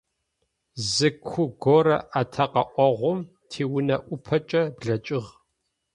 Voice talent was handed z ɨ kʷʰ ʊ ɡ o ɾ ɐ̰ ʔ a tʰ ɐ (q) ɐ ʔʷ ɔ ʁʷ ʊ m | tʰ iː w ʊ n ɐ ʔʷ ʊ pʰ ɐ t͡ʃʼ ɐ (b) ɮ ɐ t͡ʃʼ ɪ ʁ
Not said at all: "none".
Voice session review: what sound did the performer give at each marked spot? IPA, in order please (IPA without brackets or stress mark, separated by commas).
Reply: q, b